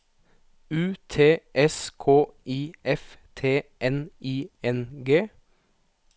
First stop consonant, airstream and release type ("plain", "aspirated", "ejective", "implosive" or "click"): aspirated